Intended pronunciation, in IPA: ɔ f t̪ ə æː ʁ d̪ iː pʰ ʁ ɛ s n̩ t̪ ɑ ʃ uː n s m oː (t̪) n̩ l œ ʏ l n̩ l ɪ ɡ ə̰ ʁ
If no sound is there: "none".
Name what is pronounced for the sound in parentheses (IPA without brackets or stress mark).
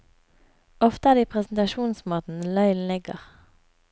t̪